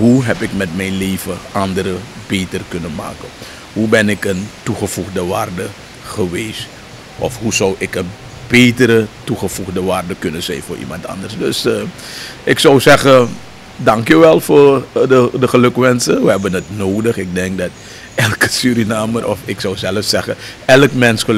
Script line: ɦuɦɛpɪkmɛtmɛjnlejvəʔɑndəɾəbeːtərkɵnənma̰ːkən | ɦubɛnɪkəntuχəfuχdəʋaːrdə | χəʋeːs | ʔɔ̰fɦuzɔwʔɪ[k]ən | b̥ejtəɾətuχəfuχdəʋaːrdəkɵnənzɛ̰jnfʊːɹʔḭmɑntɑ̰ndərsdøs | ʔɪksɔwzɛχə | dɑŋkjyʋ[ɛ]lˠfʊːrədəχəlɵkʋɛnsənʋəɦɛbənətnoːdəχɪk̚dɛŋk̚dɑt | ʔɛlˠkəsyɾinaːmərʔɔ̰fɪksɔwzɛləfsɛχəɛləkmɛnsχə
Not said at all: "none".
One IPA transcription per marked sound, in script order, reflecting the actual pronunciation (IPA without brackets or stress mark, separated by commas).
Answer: k, ɛ